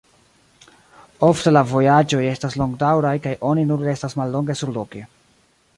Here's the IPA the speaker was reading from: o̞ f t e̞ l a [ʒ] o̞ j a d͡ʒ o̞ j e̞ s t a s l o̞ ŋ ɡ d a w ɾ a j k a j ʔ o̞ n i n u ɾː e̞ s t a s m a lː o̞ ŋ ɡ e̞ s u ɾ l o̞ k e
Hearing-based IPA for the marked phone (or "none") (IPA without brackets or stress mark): v